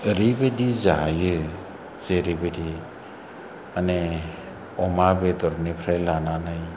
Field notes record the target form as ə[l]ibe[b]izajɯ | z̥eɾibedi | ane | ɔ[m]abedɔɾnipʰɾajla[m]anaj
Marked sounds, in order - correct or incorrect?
incorrect: ɾ, incorrect: d, correct, incorrect: n

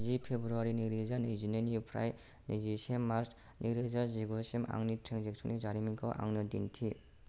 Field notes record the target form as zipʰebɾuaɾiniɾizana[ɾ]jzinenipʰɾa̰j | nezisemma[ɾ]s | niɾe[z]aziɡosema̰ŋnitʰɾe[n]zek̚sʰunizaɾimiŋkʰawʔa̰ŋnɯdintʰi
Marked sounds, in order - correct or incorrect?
incorrect: none, correct, correct, incorrect: ŋ

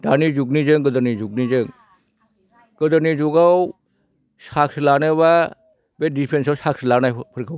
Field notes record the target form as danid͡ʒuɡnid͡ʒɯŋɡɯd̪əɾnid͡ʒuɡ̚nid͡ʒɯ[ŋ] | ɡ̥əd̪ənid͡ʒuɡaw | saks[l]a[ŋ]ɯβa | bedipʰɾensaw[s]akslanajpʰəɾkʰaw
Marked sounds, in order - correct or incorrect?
correct, correct, incorrect: n, correct

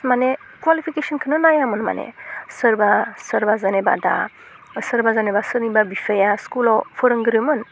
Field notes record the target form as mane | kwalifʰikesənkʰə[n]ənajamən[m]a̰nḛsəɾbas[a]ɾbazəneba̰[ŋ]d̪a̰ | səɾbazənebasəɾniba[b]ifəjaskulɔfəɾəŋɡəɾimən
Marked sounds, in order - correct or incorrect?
correct, correct, incorrect: ə, incorrect: none, correct

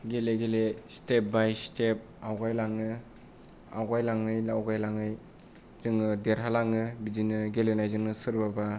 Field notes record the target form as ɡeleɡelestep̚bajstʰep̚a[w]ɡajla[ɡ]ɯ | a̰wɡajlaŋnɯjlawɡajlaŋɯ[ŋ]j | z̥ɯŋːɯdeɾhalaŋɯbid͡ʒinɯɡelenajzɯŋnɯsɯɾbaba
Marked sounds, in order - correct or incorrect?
correct, incorrect: ŋ, incorrect: none

